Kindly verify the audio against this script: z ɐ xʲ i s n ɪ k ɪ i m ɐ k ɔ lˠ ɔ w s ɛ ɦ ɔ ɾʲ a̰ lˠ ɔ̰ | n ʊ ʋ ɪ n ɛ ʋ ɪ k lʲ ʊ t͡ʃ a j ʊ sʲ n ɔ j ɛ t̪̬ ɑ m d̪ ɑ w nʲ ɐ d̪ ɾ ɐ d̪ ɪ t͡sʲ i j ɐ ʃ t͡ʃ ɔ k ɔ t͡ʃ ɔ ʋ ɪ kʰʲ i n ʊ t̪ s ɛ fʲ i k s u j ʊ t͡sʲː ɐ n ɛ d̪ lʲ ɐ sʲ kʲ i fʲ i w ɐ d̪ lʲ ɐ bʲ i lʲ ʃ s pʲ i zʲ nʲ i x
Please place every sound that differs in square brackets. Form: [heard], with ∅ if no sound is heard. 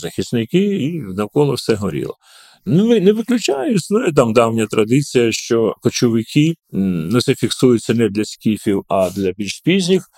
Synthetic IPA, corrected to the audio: z ɐ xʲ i s n ɪ k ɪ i [n] ɐ k ɔ lˠ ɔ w s ɛ ɦ ɔ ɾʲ [ḭ] lˠ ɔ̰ | n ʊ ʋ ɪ n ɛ ʋ ɪ k lʲ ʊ t͡ʃ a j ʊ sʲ n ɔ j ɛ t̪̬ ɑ m d̪ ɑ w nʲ ɐ [t̪] ɾ ɐ d̪ ɪ t͡sʲ i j ɐ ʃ t͡ʃ ɔ k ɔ t͡ʃ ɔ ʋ ɪ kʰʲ i n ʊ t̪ s ɛ fʲ i k s u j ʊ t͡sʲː ɐ n ɛ d̪ lʲ ɐ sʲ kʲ i fʲ i w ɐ d̪ lʲ ɐ bʲ i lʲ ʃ s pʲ i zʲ nʲ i x